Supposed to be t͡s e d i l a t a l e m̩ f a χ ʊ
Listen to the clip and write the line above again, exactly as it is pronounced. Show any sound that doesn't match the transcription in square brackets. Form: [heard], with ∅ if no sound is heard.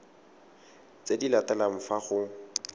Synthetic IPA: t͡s e d i l a t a l [a] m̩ f a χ ʊ